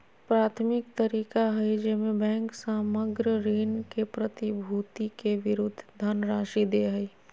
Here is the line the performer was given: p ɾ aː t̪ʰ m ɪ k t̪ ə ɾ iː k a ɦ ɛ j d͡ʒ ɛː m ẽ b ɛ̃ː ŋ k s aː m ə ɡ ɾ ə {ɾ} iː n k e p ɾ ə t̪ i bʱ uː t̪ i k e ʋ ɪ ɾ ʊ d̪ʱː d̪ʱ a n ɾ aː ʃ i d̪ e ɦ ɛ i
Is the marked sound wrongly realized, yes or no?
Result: no